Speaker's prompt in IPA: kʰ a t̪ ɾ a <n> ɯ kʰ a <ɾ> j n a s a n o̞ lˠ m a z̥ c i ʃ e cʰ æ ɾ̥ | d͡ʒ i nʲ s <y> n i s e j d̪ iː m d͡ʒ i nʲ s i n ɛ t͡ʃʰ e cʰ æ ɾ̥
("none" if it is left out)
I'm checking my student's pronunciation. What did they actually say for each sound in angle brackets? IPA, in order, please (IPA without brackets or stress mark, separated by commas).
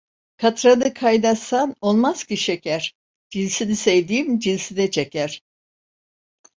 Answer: n, none, i